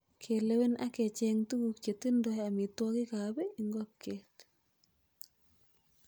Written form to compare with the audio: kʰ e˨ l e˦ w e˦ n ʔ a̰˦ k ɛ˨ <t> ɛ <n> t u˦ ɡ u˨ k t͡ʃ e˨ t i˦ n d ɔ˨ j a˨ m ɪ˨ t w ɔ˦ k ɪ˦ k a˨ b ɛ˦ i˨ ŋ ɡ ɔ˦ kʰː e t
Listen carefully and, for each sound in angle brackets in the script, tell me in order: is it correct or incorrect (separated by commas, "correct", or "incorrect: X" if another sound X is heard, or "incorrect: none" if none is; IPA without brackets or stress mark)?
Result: incorrect: t͡ʃ, incorrect: ŋ